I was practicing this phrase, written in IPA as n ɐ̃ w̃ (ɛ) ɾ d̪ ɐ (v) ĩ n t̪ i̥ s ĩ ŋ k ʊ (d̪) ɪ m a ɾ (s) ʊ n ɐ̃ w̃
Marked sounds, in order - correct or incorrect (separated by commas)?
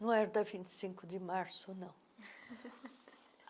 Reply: correct, correct, correct, correct